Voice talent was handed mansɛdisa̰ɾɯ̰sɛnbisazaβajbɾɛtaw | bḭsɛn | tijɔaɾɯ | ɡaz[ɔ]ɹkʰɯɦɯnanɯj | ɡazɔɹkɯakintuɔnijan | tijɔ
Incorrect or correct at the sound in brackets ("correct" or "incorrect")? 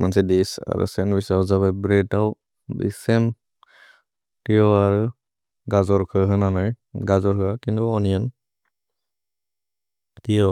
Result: correct